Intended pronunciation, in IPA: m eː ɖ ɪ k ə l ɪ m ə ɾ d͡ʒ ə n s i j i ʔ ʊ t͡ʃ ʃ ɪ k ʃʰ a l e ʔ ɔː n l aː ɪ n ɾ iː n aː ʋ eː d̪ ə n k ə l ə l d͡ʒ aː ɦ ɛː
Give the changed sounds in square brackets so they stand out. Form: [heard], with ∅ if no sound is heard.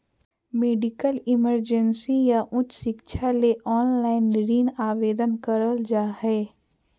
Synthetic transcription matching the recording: m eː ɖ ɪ k ə l ɪ m ə ɾ d͡ʒ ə n s i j [a] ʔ ʊ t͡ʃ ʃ ɪ k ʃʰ a l e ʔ ɔː n l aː ɪ n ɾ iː n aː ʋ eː d̪ ə n k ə [ɾ] ə l d͡ʒ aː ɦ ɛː